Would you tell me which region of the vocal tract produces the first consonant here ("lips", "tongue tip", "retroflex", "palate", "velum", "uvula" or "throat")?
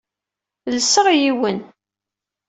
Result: tongue tip